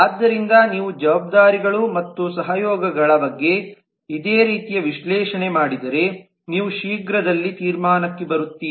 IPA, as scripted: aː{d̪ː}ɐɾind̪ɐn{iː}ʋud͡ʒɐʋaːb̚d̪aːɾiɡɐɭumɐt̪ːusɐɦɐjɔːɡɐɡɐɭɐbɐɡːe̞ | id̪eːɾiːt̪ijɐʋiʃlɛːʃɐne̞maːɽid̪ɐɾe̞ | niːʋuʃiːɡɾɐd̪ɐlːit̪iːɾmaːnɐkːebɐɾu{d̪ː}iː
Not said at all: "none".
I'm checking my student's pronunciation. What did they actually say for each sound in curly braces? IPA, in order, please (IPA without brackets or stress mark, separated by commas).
d̪ː, iː, t̪ː